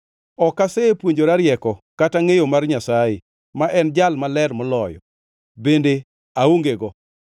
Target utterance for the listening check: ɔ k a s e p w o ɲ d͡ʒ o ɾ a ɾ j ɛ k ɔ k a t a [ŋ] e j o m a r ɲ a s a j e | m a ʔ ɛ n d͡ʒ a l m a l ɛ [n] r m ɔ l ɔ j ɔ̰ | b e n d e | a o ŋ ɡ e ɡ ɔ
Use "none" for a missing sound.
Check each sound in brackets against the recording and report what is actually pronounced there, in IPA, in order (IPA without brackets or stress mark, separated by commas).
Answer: ŋ, none